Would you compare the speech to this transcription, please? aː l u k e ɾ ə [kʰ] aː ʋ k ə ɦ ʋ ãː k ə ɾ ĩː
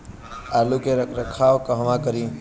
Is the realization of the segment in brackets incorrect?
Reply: no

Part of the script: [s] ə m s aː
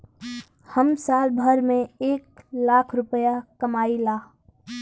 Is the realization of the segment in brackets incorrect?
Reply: yes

